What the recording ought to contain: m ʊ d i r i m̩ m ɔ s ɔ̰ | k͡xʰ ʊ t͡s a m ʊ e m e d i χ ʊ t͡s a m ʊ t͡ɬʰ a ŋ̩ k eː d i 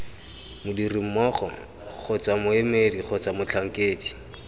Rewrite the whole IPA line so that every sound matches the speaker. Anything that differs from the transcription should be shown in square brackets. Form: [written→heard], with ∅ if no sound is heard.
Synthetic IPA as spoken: m ʊ d i r i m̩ m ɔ [s→χ] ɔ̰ | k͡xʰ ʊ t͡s a m ʊ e m e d i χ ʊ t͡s a m ʊ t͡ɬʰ a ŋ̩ k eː d i